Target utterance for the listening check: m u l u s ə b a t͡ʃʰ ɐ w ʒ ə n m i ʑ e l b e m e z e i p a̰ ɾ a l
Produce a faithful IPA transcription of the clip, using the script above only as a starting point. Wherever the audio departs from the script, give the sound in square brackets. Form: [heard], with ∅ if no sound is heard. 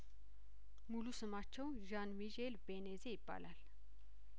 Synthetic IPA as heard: m u l u s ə [m] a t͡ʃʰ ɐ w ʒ [a] n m i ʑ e l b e [n] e z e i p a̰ [l] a l